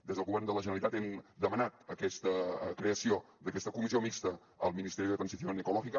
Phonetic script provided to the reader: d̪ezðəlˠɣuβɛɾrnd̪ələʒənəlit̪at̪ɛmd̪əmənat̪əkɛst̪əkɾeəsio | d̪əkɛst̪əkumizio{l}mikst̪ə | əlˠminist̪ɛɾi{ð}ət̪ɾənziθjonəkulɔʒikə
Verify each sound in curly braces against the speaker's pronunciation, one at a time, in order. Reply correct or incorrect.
incorrect: none, correct

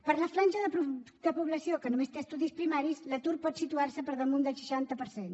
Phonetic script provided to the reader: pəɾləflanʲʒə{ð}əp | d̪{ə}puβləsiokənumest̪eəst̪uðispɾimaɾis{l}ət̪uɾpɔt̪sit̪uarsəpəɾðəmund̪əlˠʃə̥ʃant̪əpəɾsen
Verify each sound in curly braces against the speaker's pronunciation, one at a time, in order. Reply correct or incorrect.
correct, correct, correct

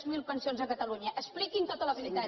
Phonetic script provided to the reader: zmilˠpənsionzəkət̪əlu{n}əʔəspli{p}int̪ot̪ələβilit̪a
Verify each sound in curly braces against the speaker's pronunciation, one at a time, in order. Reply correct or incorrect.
incorrect: ɲ, incorrect: k

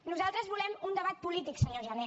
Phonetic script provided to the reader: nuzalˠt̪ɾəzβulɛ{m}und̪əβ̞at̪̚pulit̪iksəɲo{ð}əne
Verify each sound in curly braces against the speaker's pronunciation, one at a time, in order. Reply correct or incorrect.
correct, incorrect: ʒ

